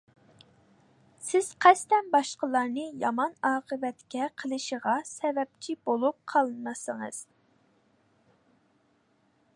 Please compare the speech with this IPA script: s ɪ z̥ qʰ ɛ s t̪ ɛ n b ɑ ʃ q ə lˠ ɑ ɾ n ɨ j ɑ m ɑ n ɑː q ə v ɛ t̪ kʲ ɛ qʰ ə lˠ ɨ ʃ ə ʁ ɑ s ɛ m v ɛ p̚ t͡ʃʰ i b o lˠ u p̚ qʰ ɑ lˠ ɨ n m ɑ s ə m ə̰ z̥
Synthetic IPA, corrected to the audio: s ɪ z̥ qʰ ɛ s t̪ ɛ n b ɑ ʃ q ə lˠ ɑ ɾ n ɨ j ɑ m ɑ n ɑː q ə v ɛ t̪ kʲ ɛ qʰ ə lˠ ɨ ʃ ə ʁ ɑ s ɛ v ɛ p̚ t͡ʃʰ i b o lˠ u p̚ qʰ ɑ lˠ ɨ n m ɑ s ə ŋ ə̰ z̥